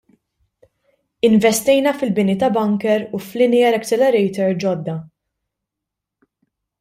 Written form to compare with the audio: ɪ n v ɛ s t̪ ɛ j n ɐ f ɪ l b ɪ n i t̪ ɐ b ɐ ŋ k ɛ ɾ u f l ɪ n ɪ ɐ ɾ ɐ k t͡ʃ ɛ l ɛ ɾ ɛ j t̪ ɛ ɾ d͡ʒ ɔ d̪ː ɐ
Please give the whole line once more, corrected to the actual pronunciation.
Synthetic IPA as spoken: ɪ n v ɛ s t̪ ɛ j n ɐ f ɪ l b ɪ n i t̪ ɐ b ɐ ŋ k ɛ ɾ u f l ɪ n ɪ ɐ ɾ ɐ k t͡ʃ ɛ l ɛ ɾ ɛ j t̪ ɛ ɾ d͡ʒ ɔ d̪ː ɐ

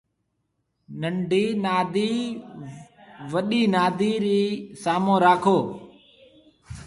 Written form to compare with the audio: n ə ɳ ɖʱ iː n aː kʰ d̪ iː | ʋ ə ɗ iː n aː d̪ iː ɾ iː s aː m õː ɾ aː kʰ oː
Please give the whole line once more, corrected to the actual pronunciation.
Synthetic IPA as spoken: n ə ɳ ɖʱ iː n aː d̪ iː | ʋ ə ɗ iː n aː d̪ iː ɾ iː s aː m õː ɾ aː kʰ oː

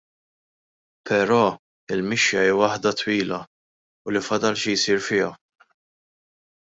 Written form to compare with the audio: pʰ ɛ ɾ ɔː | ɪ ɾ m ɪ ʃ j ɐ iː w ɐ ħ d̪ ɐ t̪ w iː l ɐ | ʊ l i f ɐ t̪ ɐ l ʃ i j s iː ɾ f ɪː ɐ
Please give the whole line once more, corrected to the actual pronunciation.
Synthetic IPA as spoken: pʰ ɛ ɾ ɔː | ɪ l m ɪ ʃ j ɐ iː w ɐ ħ d̪ ɐ t̪ w iː l ɐ | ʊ l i f ɐ d̪ ɐ l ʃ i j s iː ɾ f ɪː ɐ

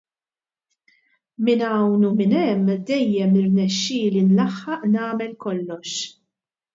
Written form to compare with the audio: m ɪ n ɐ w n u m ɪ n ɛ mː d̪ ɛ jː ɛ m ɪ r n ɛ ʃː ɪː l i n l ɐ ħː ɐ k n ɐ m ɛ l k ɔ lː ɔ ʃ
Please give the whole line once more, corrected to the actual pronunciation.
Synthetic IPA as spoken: m ɪ n ɐ w n u m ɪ n ɛ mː d̪ ɛ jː ɛ m ɪ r n ɛ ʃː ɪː l i n l ɐ ħː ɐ ʔ n ɐː m ɛ l k ɔ lː ɔ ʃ

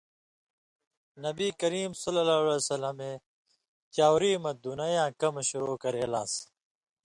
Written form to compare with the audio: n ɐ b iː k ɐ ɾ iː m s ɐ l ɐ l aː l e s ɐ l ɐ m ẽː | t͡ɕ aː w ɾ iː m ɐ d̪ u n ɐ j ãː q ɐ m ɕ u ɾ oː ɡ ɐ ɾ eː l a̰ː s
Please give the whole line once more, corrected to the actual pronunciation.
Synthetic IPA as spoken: n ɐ b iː k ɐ ɾ iː m s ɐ l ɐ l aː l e s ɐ l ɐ m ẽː | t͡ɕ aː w ɾ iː m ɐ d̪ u n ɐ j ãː k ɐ m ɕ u ɾ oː k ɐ ɾ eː l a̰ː s

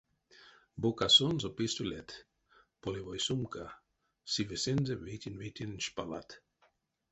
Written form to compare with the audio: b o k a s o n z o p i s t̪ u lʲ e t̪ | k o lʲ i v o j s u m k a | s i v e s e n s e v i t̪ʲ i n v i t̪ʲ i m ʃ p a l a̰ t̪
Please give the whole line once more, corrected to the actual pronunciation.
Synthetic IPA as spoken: b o k a s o n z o p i s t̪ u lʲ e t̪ | p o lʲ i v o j s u m k a | s i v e s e n z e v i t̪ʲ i n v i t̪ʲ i n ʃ p a l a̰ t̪

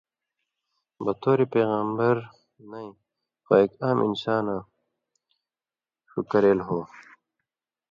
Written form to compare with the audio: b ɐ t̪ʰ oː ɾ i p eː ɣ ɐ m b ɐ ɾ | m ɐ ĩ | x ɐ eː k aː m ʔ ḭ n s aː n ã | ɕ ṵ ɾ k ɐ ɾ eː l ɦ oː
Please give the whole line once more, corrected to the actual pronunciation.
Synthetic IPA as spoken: b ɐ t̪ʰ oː ɾ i p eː ɣ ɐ m b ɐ ɾ | n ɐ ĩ | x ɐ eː k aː m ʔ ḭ n s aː n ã | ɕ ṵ k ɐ ɾ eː l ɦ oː

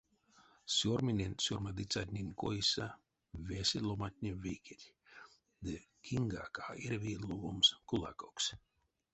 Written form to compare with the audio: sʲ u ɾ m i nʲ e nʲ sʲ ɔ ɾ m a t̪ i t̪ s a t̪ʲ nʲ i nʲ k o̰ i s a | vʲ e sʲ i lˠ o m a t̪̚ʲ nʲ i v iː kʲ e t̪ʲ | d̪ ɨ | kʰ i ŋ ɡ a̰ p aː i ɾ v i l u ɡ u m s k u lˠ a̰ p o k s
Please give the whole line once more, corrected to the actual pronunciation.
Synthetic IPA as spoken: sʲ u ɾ m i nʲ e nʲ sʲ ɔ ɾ m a d̪ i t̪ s a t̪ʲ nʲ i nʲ k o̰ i s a | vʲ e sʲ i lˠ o m a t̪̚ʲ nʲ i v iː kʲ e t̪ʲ | d̪ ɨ | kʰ i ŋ ɡ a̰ k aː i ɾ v i l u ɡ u m s k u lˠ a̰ k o k s

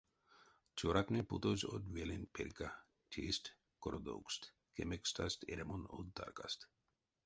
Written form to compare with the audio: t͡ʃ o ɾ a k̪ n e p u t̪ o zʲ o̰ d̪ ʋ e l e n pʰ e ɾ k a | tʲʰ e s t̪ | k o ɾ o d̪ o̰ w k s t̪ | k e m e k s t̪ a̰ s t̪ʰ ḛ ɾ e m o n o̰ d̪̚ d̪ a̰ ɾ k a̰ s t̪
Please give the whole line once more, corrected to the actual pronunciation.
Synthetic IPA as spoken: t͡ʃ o ɾ a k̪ n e p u t̪ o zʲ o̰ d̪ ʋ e l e n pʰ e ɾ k a | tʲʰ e s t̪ | k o ɾ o d̪ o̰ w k s t̪ | k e m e k s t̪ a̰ s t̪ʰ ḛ ɾ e m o n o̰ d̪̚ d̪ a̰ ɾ k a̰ s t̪

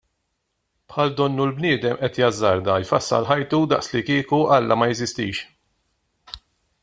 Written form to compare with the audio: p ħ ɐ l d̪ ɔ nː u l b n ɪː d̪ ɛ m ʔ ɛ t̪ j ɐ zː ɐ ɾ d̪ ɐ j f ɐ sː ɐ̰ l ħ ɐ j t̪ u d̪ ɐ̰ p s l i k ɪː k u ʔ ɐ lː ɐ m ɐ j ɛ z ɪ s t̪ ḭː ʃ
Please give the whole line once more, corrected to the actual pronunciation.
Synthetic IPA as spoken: p ħ ɐ l d̪ ɔ nː u l b n ɪː d̪ ɛ m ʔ ɛ t̪ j ɐ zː ɐ ɾ d̪ ɐ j f ɐ sː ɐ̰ l ħ ɐ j t̪ u d̪ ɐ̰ ʔ s l i k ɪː k u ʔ ɐ lː ɐ m ɐ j ɛ z ɪ s t̪ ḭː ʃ

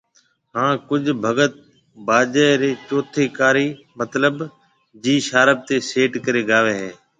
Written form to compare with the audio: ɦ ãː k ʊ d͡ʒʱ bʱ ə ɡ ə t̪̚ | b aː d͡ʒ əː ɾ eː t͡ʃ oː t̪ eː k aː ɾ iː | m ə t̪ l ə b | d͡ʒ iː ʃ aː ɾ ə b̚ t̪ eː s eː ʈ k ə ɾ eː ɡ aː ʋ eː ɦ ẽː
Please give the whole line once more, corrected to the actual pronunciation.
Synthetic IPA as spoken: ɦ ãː k ʊ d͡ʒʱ bʱ ə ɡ ə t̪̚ | b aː d͡ʒ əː ɾ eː t͡ʃ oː t̪ʰ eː k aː ɾ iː | m ə t̪ l ə b | d͡ʒ iː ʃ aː ɾ ə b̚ t̪ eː s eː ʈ k ə ɾ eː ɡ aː ʋ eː ɦ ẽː

